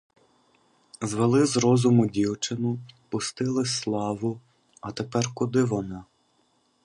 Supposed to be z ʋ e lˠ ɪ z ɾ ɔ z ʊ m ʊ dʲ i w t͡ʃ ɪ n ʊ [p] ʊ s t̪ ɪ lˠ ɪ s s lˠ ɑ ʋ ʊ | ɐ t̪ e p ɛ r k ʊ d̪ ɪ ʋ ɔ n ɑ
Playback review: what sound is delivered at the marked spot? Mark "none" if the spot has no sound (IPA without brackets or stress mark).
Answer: p